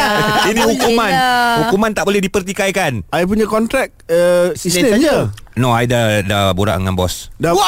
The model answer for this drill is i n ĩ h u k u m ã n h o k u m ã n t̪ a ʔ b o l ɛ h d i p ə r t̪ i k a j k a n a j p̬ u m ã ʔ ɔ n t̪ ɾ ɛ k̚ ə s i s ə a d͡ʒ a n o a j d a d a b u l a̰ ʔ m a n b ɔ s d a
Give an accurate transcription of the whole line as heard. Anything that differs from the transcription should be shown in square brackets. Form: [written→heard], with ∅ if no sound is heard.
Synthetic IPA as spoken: i n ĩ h u k u m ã n h [o→u] k u m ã n t̪ a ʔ b o l ɛ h d i p ə r t̪ i k a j k a n a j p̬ u [m→ɲ] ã [ʔ→k] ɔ n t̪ ɾ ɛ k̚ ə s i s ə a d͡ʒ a n o a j d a d a b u [l→ɾ] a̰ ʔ [m→ŋ] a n b ɔ s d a